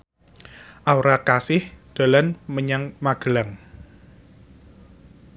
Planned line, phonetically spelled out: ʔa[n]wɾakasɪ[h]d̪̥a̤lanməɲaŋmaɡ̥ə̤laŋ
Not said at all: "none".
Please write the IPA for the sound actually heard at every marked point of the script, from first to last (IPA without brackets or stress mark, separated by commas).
none, h